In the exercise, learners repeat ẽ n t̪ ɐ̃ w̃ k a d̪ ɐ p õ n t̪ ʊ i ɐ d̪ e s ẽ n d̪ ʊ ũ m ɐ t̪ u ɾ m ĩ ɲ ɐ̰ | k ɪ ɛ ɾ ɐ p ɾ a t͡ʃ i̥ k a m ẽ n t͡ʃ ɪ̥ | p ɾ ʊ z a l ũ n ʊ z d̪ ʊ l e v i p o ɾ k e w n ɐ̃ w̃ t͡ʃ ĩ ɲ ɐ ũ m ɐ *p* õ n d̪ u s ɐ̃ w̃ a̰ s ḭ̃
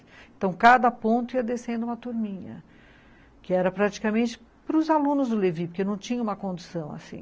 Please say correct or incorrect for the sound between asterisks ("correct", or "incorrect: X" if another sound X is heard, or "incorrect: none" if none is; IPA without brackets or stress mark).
incorrect: k